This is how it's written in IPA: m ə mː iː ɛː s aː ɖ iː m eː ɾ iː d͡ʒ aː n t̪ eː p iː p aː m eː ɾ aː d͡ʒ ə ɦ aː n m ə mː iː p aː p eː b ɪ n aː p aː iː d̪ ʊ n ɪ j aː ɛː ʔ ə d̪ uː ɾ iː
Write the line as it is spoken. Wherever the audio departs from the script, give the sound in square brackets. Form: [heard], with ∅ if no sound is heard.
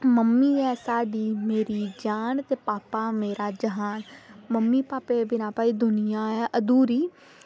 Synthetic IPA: m ə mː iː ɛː s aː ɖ iː m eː ɾ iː d͡ʒ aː n t̪ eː p [aː] p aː m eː ɾ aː d͡ʒ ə ɦ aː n m ə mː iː p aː p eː b ɪ n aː p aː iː d̪ ʊ n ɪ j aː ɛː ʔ ə d̪ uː ɾ iː